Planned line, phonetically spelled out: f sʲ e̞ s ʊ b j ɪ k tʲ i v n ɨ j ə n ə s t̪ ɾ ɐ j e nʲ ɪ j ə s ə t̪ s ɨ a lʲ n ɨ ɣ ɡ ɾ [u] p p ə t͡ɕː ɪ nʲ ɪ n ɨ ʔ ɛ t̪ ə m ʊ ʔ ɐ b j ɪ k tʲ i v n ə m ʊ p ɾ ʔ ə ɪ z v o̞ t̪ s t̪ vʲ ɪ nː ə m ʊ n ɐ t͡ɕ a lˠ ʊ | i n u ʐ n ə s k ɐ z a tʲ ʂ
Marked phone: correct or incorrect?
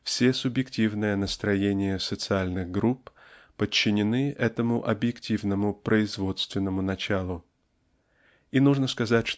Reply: correct